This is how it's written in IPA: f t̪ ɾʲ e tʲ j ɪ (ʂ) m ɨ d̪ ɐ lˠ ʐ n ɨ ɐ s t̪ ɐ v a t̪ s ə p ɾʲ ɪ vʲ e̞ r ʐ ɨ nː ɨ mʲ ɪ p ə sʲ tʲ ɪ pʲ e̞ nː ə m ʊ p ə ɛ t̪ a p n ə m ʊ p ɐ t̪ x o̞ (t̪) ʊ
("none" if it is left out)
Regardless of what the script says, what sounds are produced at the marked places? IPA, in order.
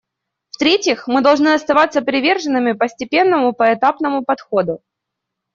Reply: x, d̪

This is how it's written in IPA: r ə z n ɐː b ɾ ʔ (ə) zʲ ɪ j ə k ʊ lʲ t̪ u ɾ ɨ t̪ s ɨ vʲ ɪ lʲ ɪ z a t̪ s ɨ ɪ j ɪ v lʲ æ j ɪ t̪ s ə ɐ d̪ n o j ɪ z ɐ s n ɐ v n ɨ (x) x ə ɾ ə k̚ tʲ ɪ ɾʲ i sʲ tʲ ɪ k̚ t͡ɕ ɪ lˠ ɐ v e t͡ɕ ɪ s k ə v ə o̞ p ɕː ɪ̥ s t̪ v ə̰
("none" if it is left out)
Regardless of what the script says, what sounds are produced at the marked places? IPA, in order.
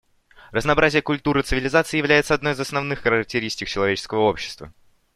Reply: a, x

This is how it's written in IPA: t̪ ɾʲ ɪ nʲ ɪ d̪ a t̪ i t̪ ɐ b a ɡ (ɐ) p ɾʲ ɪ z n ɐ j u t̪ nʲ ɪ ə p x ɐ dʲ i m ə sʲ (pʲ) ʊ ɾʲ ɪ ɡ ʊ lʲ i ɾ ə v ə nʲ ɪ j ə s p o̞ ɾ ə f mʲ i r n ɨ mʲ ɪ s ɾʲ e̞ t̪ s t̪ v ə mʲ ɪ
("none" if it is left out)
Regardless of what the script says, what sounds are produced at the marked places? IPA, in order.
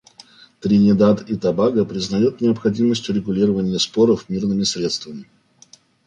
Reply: ə, tʲ

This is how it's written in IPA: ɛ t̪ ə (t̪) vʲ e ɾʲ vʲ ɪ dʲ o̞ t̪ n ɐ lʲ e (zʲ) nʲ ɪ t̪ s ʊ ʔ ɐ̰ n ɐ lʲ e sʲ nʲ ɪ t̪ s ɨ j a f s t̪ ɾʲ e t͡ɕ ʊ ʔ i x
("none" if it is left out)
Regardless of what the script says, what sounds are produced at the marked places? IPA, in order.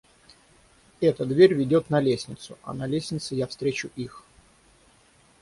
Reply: d̪, sʲ

